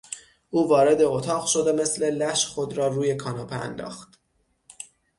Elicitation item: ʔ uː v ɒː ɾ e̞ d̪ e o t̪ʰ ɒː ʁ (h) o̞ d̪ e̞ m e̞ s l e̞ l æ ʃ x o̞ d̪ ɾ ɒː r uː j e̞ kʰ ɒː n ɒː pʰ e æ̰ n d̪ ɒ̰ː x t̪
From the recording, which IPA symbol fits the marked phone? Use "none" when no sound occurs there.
ʃ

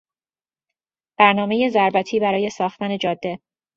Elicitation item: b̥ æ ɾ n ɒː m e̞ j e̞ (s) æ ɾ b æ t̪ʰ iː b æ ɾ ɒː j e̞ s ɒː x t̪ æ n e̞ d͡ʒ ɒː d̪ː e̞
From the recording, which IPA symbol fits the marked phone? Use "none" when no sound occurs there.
z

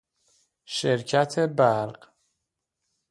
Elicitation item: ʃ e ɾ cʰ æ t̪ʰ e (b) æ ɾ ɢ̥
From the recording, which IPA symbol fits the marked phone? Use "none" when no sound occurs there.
b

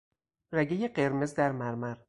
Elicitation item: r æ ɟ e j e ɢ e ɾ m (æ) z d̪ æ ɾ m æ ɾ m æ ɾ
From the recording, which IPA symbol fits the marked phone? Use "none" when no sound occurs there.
e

